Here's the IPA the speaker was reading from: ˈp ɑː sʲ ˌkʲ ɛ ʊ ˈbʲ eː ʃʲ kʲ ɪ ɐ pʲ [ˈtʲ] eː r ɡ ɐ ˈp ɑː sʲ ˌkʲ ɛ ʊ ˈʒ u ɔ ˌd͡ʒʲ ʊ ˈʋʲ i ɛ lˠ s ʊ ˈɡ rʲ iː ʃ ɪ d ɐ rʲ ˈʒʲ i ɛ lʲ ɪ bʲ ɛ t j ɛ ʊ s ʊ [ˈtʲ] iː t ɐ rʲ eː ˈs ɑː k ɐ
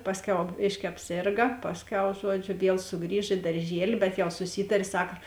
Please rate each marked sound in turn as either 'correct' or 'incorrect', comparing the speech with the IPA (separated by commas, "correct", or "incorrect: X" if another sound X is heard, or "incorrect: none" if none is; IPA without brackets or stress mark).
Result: incorrect: sʲ, incorrect: sʲ